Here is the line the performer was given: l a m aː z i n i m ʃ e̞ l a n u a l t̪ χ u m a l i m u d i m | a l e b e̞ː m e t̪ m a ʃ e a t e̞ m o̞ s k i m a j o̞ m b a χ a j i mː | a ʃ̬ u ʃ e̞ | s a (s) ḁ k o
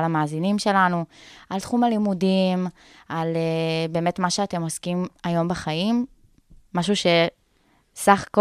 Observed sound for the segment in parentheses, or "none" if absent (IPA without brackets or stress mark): χ